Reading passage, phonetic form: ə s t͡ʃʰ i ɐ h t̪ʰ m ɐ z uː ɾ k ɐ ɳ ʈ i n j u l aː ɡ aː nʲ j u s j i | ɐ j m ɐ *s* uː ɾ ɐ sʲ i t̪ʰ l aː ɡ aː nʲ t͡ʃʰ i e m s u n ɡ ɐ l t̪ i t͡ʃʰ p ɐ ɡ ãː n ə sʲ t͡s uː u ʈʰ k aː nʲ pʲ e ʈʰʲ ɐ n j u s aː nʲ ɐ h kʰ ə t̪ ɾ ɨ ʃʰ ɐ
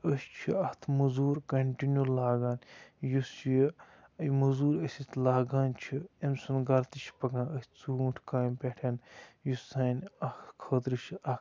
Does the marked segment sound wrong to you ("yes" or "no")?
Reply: yes